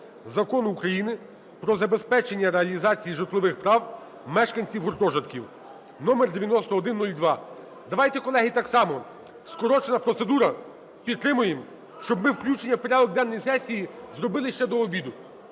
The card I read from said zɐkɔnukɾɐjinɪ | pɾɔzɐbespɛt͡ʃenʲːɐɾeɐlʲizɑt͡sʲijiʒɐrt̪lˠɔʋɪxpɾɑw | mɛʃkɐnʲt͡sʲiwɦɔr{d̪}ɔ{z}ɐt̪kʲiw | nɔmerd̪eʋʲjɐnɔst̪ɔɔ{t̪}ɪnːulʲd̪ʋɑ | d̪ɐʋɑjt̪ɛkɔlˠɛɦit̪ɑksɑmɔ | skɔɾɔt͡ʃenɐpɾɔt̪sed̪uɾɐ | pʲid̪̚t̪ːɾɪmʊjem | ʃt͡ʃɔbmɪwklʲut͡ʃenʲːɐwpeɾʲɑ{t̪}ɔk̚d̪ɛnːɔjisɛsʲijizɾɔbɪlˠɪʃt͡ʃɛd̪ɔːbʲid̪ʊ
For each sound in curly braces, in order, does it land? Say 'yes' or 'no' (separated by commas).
no, no, no, no